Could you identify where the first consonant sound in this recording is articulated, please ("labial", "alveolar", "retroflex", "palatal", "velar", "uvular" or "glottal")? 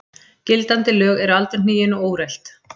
palatal